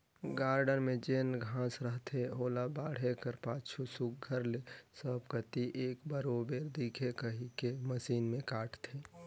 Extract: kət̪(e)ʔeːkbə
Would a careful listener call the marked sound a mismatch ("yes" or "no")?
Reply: yes